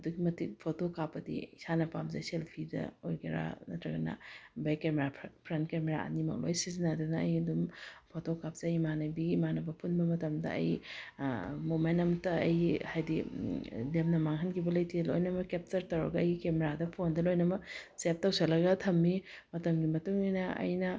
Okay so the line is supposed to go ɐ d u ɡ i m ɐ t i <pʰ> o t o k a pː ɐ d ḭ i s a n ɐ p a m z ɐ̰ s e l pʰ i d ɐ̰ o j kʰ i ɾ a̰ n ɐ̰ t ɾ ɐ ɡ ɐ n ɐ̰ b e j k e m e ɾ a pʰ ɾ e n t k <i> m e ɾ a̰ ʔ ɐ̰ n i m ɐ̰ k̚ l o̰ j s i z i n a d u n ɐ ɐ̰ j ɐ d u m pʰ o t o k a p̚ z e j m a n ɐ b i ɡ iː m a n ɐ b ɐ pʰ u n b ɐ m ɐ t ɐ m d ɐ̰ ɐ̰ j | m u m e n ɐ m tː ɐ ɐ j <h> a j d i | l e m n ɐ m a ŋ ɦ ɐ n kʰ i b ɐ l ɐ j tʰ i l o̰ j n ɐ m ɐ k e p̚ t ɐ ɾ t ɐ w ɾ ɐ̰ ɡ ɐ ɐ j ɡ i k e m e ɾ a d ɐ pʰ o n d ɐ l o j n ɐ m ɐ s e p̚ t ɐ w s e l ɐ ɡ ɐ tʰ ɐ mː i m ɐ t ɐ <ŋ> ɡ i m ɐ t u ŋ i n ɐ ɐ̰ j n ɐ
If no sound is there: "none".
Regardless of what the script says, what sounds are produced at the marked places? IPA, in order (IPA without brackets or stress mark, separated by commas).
pʰ, e, h, m